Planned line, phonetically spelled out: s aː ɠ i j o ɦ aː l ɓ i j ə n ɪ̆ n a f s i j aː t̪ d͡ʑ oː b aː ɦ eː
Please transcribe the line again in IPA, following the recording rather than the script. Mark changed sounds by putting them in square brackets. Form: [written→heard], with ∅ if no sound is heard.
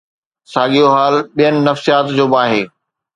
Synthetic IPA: s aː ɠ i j o ɦ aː l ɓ i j ə n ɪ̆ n [a→ɐ] f s i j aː t̪ d͡ʑ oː b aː ɦ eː